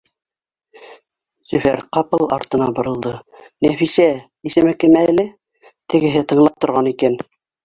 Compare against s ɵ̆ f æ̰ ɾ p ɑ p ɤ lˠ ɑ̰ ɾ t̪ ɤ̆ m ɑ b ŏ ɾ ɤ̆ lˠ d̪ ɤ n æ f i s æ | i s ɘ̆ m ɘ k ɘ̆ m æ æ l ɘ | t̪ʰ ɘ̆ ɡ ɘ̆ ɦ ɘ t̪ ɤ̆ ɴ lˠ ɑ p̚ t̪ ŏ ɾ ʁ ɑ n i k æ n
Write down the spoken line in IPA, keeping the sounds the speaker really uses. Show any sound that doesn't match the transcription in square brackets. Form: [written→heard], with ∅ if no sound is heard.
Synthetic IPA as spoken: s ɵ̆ f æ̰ ɾ [p→q] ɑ p ɤ lˠ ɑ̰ ɾ t̪ ɤ̆ [m→n] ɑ b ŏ ɾ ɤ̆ lˠ d̪ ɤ n æ f i s æ | i s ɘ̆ m ɘ k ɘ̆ m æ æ l ɘ | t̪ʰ ɘ̆ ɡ ɘ̆ ɦ ɘ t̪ ɤ̆ ɴ lˠ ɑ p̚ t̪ ŏ ɾ ʁ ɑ n i k æ n

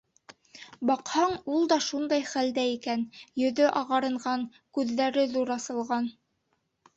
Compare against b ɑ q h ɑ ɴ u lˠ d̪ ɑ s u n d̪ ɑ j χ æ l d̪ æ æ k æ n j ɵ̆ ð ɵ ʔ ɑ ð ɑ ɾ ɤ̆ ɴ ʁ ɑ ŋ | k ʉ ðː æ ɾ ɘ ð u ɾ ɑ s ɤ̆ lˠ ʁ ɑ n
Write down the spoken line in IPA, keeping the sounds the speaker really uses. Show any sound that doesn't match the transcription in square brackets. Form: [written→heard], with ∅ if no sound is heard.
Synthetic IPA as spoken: b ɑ q h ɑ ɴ u lˠ d̪ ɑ [s→ʃ] u n d̪ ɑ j χ æ l d̪ æ [æ→i] k æ n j ɵ̆ ð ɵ ʔ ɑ [ð→ʁ] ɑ ɾ ɤ̆ ɴ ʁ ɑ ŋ | k ʉ ðː æ ɾ ɘ ð u ɾ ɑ s ɤ̆ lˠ ʁ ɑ n

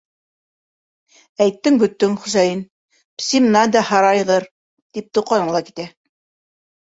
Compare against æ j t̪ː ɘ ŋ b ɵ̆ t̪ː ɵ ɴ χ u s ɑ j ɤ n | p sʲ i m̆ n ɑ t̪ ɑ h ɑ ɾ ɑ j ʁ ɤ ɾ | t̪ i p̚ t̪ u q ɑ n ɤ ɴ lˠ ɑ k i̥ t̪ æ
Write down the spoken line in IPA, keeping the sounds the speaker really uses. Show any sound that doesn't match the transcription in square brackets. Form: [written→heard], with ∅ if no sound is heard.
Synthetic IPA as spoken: æ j t̪ː ɘ ŋ b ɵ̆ t̪ː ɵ [ɴ→ŋ] χ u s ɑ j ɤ n | p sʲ i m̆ n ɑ [t̪→d̪] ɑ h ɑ ɾ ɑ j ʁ ɤ ɾ | t̪ i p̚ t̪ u q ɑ n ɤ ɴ lˠ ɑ k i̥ t̪ æ

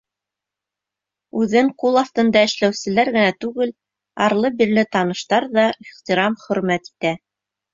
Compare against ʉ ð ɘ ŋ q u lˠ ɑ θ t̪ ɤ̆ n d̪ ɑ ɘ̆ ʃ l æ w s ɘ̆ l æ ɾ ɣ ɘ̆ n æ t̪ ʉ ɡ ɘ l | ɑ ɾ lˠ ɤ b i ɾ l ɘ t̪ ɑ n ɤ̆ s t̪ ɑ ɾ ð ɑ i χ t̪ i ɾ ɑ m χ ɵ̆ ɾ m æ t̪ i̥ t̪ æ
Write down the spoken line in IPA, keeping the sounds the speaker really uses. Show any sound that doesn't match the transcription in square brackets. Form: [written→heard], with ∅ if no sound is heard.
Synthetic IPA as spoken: ʉ ð ɘ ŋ q u lˠ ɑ [θ→f] t̪ ɤ̆ n d̪ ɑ ɘ̆ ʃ l æ w s ɘ̆ l æ ɾ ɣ ɘ̆ n æ t̪ ʉ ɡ ɘ l | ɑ ɾ lˠ ɤ b i ɾ l ɘ t̪ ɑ n ɤ̆ [s→ʃ] t̪ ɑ ɾ ð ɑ i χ t̪ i ɾ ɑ m χ ɵ̆ ɾ m æ t̪ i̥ t̪ æ

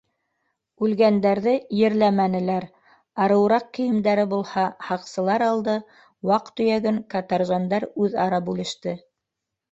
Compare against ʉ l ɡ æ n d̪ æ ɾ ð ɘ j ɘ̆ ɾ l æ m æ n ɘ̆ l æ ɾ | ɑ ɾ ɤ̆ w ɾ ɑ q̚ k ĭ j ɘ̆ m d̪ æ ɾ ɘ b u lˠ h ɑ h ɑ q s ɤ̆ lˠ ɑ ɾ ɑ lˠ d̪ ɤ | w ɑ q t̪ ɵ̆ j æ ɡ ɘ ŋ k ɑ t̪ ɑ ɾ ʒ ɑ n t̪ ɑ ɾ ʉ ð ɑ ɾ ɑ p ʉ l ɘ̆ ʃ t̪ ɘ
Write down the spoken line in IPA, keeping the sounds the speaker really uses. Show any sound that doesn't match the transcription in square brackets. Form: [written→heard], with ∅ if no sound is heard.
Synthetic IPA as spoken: ʉ l ɡ æ n d̪ æ ɾ ð ɘ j ɘ̆ ɾ l æ m æ n ɘ̆ l æ ɾ | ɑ ɾ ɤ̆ w ɾ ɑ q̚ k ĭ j ɘ̆ m d̪ æ ɾ ɘ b u lˠ h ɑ h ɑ q s ɤ̆ lˠ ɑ ɾ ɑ lˠ d̪ ɤ | w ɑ q t̪ ɵ̆ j æ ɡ ɘ ŋ k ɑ t̪ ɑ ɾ ʒ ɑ n [t̪→d̪] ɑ ɾ ʉ ð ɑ ɾ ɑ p ʉ l ɘ̆ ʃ t̪ ɘ

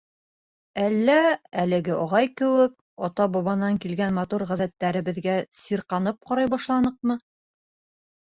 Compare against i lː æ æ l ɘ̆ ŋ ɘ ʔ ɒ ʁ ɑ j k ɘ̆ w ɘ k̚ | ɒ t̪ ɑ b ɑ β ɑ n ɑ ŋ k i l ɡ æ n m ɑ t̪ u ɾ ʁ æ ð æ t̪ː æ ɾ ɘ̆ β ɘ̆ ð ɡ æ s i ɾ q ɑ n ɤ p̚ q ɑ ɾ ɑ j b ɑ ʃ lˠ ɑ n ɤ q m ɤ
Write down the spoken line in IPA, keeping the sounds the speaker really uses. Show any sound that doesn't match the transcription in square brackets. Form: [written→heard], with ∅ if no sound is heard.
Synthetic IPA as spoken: [i→æ] lː æ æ l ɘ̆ [ŋ→ɡ] ɘ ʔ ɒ ʁ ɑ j k ɘ̆ w ɘ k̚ | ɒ t̪ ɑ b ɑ β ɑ n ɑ ŋ k i l ɡ æ n m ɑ t̪ u ɾ ʁ æ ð æ t̪ː æ ɾ ɘ̆ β ɘ̆ ð ɡ æ s i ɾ q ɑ n ɤ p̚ q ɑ ɾ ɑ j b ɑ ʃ lˠ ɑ n ɤ q m ɤ

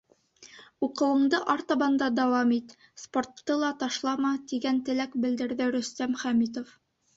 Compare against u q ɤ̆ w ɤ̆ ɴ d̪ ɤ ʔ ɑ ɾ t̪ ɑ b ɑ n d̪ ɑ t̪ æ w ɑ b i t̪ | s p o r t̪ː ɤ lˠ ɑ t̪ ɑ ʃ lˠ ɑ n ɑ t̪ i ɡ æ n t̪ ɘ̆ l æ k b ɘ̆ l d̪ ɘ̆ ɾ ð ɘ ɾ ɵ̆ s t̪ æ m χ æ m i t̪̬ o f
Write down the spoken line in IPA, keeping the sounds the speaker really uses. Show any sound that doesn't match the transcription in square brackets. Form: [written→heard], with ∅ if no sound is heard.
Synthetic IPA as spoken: u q ɤ̆ w ɤ̆ ɴ d̪ ɤ ʔ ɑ ɾ t̪ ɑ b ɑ n d̪ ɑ [t̪→d̪] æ w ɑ [b→m] i t̪ | s p o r t̪ː ɤ lˠ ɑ t̪ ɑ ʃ lˠ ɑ [n→m] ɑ t̪ i ɡ æ n t̪ ɘ̆ l æ k b ɘ̆ l d̪ ɘ̆ ɾ ð ɘ ɾ ɵ̆ s t̪ æ m χ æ m i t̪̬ o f

